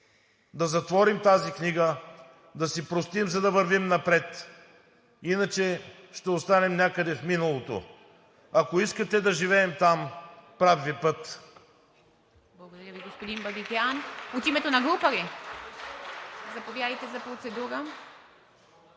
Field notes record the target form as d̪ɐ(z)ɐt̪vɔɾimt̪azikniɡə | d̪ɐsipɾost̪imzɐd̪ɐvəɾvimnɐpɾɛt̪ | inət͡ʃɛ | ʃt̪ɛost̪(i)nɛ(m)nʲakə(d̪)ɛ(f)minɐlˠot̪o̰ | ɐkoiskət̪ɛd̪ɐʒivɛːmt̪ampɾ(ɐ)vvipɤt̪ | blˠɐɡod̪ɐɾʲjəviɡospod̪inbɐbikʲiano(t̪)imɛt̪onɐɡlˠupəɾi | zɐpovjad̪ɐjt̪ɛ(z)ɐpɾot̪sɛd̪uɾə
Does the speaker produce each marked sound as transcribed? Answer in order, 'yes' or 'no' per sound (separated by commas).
yes, no, yes, yes, yes, no, yes, yes